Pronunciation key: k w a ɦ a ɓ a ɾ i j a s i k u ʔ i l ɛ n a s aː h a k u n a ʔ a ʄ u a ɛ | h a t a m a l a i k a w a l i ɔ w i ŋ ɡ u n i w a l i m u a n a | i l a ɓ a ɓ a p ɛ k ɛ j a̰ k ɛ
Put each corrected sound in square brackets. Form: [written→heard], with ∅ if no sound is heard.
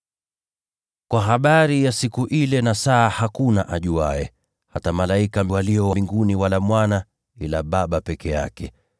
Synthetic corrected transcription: k w a ɦ a ɓ a ɾ i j a s i k u ʔ i l ɛ n a s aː h a k u n a ʔ a ʄ u a ɛ | h a t a m a l a i k a w a l i ɔ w i ŋ ɡ u n i w a l [i→a] m [u→w] a n a | i l a ɓ a ɓ a p ɛ k ɛ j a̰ k ɛ